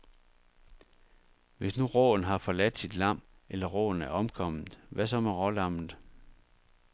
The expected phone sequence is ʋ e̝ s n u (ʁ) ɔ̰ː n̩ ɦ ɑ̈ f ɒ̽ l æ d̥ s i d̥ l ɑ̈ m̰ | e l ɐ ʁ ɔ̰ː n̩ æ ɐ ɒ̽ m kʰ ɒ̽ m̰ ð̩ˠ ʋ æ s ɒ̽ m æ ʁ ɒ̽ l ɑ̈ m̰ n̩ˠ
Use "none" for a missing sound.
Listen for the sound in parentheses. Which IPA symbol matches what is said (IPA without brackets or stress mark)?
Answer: ʁ